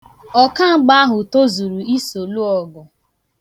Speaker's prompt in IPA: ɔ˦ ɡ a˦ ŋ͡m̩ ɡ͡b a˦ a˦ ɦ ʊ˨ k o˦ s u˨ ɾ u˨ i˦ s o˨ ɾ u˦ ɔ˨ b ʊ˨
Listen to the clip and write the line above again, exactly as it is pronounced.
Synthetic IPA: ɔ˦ k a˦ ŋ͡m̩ ɡ͡b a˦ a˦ ɦ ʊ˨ t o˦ z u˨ ɾ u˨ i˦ s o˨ l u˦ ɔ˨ ɡ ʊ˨